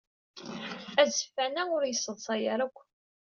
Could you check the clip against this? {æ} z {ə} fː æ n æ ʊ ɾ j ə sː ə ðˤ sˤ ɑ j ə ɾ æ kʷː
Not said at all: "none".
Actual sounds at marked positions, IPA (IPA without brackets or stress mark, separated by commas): æ, ə